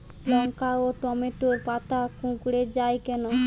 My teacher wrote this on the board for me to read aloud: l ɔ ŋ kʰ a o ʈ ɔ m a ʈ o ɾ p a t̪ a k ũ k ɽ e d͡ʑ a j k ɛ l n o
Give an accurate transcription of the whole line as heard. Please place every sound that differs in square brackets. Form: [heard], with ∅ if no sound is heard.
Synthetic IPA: l ɔ ŋ [k] a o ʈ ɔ m [e] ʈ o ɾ p a t̪ a k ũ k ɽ e d͡ʑ a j k ɛ [∅] n o